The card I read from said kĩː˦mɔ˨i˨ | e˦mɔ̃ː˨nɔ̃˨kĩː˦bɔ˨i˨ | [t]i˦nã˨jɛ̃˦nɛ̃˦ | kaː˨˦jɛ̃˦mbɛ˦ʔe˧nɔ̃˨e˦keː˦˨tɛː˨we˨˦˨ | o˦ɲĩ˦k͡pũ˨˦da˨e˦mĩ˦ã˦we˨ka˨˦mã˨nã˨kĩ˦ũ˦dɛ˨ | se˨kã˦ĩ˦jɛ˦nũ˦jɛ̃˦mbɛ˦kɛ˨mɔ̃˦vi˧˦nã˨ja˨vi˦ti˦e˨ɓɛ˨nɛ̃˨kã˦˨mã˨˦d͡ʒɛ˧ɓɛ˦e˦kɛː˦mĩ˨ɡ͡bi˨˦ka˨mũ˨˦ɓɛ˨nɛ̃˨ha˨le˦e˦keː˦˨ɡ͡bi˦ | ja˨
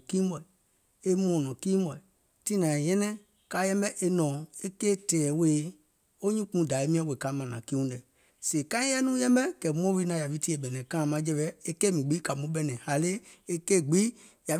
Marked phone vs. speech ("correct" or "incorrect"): correct